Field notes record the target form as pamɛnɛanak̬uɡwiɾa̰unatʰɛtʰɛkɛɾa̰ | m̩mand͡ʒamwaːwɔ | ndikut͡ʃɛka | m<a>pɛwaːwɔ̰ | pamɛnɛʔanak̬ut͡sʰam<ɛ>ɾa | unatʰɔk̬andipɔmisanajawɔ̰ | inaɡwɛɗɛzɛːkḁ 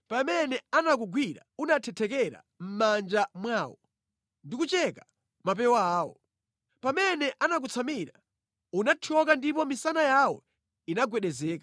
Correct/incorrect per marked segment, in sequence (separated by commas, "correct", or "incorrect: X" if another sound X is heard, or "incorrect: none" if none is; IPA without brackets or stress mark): correct, incorrect: i